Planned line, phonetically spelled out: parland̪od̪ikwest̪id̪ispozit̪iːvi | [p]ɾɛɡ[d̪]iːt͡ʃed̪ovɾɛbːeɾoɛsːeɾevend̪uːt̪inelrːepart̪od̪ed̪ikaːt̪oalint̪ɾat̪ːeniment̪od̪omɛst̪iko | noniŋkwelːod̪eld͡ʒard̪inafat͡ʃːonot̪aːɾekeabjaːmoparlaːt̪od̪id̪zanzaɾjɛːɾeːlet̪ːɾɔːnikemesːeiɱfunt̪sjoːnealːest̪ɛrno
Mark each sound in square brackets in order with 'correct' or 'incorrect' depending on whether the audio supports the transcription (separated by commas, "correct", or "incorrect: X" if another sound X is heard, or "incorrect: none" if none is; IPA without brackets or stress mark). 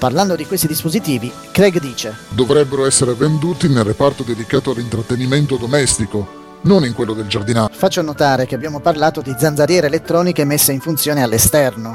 incorrect: k, correct